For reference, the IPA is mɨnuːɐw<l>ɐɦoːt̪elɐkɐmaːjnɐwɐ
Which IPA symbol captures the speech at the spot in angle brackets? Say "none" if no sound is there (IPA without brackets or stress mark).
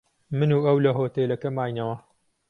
l